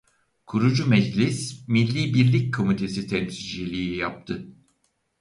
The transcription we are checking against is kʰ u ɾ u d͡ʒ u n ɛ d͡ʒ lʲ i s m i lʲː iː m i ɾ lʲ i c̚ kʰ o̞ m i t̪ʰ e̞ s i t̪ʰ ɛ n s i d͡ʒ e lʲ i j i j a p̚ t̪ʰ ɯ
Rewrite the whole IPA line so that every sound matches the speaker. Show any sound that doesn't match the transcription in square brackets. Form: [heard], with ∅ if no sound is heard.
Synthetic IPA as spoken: kʰ u ɾ u d͡ʒ u [m] ɛ d͡ʒ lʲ i s m i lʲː iː [b] i ɾ lʲ i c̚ kʰ o̞ m i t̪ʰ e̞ s i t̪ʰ ɛ n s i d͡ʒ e lʲ i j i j a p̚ t̪ʰ ɯ

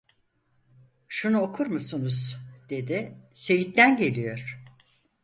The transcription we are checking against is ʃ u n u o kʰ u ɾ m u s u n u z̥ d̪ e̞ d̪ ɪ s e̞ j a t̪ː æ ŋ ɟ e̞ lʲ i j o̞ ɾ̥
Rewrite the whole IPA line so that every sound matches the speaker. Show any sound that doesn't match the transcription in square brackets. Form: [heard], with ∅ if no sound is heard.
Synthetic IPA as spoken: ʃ u n u o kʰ u ɾ m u s u n u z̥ d̪ e̞ d̪ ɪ s e̞ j [i] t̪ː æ [n] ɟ e̞ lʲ i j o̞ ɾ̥

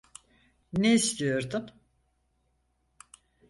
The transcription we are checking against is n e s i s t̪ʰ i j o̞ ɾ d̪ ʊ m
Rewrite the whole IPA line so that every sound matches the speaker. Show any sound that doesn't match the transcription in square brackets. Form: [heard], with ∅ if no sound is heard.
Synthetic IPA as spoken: n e [∅] i s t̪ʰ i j o̞ ɾ d̪ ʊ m

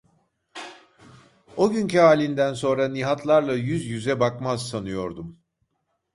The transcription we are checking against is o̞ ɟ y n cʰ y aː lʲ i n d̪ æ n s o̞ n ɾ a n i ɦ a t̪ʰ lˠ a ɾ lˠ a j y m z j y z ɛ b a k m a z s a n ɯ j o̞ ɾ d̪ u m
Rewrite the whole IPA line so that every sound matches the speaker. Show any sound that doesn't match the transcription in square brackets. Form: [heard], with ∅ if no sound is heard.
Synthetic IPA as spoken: o̞ ɟ y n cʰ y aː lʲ i n d̪ æ n s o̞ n ɾ a n i ɦ a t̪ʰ lˠ a ɾ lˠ a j y [∅] z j y z ɛ b a k m a z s a n ɯ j o̞ ɾ d̪ u m

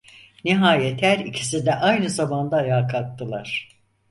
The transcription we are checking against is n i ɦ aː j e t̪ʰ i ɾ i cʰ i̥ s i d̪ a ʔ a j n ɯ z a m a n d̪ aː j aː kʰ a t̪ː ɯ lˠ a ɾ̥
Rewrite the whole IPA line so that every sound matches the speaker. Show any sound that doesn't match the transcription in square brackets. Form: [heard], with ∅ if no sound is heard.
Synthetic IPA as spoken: n i ɦ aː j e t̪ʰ [æ] ɾ i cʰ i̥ s i d̪ [ɛ] ʔ a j n ɯ z a m a n d̪ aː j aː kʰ a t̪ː ɯ lˠ a ɾ̥

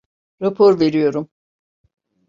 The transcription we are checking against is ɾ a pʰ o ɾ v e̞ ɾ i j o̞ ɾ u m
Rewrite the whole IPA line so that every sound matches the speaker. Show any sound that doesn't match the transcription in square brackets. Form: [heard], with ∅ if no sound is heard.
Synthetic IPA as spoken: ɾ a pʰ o ɾ v e̞ ɾ i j o̞ ɾ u m

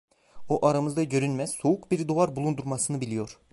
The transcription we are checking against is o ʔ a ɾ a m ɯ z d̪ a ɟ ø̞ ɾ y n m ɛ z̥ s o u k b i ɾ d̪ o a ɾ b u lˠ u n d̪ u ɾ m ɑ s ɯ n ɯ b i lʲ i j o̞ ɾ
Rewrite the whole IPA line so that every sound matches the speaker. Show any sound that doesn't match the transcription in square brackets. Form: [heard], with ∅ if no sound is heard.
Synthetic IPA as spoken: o ʔ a ɾ a m ɯ z d̪ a ɟ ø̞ ɾ y n m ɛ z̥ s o u k b i ɾ d̪ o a ɾ b u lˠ u n d̪ u ɾ m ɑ s ɯ n ɯ b i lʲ i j o̞ ɾ

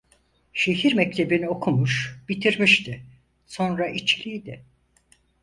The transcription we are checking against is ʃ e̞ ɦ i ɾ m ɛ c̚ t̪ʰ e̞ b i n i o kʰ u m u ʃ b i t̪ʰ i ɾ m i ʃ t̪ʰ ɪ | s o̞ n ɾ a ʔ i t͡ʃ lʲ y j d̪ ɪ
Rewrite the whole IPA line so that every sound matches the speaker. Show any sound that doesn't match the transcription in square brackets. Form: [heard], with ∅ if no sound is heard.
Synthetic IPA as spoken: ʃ e̞ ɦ i ɾ m ɛ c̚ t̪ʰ e̞ b i n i o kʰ u m u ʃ b i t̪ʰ i ɾ m i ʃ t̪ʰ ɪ | s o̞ n ɾ a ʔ i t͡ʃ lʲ [i] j d̪ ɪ

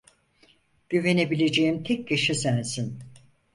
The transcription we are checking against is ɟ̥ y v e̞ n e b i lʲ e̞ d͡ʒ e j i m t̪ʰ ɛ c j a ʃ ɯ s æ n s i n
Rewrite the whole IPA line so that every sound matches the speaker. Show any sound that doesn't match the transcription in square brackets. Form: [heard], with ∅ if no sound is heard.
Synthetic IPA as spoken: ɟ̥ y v e̞ n e b i lʲ e̞ d͡ʒ e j i m t̪ʰ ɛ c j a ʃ ɯ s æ n s i n

